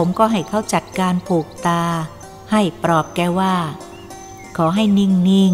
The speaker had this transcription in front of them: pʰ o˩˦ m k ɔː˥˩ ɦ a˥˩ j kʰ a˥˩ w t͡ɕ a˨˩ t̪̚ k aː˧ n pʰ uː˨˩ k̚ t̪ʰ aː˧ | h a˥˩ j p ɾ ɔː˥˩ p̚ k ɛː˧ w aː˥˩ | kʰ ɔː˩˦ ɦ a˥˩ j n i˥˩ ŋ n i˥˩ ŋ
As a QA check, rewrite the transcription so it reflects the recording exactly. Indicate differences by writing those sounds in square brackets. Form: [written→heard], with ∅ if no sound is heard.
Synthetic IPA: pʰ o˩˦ m k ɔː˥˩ ɦ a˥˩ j kʰ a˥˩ w t͡ɕ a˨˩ t̪̚ k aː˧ n pʰ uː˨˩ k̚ [t̪ʰ→t̪] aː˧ | h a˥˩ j p ɾ [ɔː˥˩→ɔː˨˩] p̚ k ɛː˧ w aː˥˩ | kʰ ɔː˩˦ ɦ a˥˩ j n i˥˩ ŋ n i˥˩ ŋ